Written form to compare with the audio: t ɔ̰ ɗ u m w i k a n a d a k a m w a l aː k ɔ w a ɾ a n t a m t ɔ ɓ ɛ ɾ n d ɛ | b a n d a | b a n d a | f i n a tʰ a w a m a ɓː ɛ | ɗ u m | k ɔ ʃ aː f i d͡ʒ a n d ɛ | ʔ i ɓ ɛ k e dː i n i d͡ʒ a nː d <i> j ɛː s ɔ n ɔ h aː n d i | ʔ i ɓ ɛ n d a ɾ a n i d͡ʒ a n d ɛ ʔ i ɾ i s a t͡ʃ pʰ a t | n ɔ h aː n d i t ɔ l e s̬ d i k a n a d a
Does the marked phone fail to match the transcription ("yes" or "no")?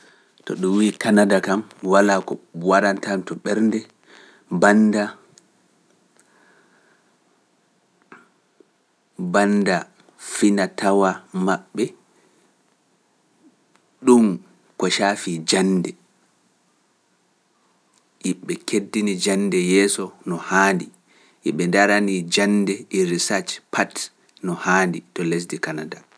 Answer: yes